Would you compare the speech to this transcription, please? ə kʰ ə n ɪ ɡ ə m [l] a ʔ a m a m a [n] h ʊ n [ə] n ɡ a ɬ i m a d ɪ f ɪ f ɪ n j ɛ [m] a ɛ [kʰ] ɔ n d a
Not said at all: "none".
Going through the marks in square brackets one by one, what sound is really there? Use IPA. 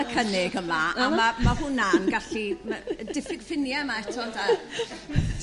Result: l, none, a, m, tʰ

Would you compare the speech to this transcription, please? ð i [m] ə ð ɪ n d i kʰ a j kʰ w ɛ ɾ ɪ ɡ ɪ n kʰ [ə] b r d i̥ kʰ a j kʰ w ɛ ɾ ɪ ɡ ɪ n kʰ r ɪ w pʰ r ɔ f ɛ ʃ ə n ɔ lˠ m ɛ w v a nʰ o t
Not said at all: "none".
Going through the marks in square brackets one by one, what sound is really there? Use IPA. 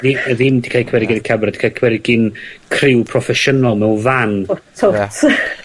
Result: none, a

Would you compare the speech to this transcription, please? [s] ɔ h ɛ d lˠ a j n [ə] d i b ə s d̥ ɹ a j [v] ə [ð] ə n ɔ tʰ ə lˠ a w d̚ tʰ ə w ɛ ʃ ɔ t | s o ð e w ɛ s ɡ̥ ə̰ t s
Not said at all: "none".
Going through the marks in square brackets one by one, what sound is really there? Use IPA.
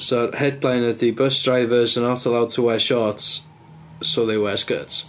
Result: s, ə, v, z

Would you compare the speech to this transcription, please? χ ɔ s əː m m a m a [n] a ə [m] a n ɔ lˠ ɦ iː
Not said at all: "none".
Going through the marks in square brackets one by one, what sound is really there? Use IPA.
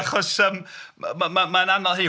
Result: m, n

